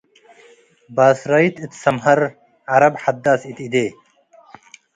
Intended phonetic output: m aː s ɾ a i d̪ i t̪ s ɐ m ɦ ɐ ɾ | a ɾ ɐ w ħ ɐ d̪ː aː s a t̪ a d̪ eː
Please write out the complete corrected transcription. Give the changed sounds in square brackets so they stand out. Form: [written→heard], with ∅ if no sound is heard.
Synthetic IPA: [m→b] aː s ɾ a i [d̪→t̪] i t̪ s ɐ m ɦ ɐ ɾ | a ɾ ɐ [w→b] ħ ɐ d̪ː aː s [a→i] t̪ [a→i] d̪ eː